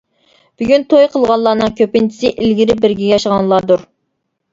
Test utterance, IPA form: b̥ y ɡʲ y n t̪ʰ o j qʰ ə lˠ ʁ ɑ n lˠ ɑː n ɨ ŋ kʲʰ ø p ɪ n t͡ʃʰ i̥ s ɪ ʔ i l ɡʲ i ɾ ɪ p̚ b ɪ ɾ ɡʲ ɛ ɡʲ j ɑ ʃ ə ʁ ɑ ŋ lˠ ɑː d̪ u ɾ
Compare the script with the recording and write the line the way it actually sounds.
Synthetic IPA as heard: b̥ y ɡʲ y n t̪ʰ o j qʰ ə lˠ ʁ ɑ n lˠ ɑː n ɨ ŋ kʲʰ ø p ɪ n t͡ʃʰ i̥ s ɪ ʔ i l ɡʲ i ɾ ɪ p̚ b ɪ ɾ ɡʲ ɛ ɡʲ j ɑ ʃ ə ʁ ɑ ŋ lˠ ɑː d̪ u ɾ

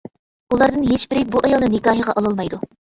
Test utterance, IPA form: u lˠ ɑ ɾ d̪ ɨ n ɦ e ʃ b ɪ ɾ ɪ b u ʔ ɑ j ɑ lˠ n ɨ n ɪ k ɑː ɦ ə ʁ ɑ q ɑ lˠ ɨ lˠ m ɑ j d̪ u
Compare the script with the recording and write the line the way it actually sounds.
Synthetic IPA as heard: u lˠ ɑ ɾ d̪ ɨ n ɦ e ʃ b ɪ ɾ ɪ b u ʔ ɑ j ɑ lˠ n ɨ n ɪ k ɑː ɦ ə ʁ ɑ ʔ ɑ lˠ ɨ lˠ m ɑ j d̪ u

